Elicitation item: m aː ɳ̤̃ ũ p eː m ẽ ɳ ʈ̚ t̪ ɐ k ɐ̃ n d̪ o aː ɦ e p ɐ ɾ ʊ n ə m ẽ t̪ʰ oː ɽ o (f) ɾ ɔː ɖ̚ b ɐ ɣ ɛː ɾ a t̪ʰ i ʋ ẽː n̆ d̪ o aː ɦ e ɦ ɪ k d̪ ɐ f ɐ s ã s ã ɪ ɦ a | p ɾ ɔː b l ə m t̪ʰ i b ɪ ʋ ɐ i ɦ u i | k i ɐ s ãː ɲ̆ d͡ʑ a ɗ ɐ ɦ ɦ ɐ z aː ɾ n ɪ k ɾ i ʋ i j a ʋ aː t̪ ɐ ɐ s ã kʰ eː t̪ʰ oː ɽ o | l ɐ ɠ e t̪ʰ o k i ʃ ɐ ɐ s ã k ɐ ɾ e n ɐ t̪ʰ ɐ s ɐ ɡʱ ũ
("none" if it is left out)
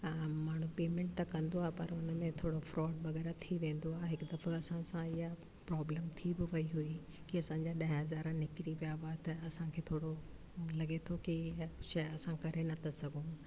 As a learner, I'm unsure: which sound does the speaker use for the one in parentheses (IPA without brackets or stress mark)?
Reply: f